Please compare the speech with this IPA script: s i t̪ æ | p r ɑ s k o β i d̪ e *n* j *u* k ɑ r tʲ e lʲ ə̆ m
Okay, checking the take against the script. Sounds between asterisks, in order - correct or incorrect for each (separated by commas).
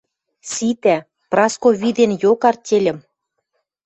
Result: correct, incorrect